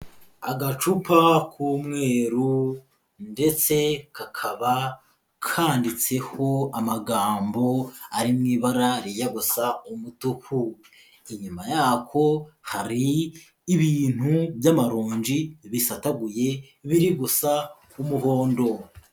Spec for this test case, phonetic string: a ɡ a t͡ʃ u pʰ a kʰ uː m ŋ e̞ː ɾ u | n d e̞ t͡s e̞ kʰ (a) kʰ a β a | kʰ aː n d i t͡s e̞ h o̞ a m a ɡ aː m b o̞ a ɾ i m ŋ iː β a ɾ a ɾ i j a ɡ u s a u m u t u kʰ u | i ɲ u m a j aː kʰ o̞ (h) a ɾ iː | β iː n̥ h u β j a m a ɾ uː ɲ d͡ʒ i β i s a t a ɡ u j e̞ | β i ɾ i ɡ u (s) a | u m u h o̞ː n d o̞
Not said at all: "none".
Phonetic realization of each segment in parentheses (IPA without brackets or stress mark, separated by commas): a, h, s